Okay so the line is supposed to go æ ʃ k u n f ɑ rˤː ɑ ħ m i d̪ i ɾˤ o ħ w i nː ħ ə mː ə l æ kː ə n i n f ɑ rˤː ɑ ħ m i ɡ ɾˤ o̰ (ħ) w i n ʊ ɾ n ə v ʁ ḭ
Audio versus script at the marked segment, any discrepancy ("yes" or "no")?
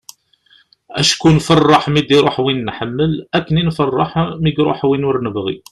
no